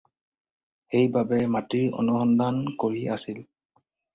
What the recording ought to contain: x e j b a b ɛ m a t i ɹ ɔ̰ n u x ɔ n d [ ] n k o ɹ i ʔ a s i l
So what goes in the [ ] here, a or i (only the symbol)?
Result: a